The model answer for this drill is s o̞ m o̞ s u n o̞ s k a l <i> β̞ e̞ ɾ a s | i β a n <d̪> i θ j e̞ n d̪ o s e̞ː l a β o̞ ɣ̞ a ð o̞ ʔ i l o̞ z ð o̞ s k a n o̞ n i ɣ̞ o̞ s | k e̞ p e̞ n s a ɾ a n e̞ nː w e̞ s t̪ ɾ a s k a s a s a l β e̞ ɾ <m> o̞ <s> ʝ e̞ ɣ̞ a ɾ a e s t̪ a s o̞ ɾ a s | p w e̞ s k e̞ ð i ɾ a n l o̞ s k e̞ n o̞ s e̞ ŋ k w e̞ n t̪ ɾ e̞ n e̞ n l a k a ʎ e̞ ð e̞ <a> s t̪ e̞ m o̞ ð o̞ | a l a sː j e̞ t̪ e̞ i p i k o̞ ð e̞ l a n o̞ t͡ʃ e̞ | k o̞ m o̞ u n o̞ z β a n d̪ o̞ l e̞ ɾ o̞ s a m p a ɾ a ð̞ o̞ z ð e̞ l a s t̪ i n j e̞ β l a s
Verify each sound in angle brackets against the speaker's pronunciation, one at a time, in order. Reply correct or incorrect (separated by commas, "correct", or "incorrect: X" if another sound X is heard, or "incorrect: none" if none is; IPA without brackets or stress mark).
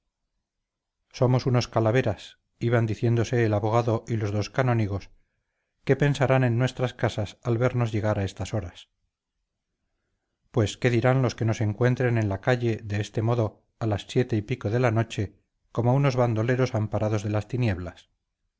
incorrect: a, correct, incorrect: n, incorrect: z, incorrect: e